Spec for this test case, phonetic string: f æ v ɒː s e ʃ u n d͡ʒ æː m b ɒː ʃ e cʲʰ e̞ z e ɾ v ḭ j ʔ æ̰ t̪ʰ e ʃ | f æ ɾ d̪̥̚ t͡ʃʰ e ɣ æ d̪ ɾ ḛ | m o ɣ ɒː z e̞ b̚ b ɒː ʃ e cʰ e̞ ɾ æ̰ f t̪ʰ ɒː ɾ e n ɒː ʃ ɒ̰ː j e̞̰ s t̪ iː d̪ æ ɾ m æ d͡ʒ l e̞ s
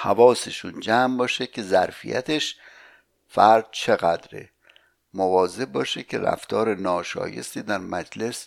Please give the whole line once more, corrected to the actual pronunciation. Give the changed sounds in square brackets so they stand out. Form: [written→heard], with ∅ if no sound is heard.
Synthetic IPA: [f→h] æ v ɒː s e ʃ u n d͡ʒ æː m b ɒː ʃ e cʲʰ e̞ z [e→æ] ɾ [v→f] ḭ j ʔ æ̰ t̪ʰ e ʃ | f æ ɾ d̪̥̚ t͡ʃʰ e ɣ æ d̪ ɾ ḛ | m o [ɣ→v] ɒː z e̞ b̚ b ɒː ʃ e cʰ e̞ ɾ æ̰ f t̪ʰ ɒː ɾ e n ɒː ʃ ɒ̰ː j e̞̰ s t̪ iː d̪ æ ɾ m æ d͡ʒ l e̞ s